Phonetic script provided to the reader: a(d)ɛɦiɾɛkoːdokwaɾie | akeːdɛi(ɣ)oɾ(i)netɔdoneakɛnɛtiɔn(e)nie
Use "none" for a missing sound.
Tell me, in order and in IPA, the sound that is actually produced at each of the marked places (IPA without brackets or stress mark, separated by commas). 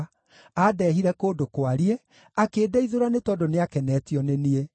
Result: d, ð, a, e